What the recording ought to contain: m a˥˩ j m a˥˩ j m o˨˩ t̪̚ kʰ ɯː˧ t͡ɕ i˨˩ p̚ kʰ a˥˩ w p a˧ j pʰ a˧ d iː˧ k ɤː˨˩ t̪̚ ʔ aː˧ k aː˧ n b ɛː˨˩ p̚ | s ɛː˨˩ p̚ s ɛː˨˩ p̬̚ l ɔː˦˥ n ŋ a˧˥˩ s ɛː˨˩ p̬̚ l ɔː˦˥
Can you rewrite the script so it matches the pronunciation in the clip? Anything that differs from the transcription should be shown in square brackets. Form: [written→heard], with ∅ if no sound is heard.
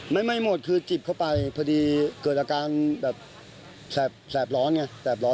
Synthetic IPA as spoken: m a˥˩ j m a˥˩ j m o˨˩ t̪̚ kʰ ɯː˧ t͡ɕ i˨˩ p̚ kʰ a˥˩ w p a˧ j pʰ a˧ d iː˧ k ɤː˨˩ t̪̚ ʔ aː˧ k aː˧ n b ɛː˨˩ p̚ | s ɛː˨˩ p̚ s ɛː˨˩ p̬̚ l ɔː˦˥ n ŋ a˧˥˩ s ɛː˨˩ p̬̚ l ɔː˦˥